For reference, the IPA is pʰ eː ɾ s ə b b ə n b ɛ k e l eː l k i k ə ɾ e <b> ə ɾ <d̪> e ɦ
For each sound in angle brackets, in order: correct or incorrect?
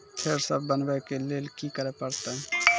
incorrect: p, incorrect: t̪

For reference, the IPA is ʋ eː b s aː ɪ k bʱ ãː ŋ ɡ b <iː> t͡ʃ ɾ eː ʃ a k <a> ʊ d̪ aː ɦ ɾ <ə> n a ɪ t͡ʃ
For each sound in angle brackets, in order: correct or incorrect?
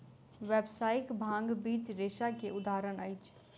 correct, incorrect: e, correct

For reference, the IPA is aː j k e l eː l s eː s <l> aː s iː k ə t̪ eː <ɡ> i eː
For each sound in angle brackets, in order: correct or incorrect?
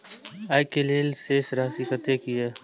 incorrect: ɾ, incorrect: k

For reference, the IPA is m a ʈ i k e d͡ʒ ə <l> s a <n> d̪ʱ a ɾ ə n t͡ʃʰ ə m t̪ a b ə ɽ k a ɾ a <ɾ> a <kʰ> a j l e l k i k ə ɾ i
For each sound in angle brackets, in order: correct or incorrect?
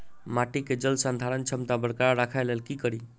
correct, correct, correct, correct

